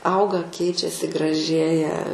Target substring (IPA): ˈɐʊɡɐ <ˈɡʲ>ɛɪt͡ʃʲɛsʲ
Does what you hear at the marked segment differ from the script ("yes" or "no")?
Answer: yes